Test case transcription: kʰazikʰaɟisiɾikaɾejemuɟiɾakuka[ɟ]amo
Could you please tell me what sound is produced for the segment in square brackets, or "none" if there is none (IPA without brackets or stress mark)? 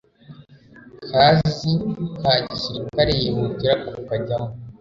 ɟ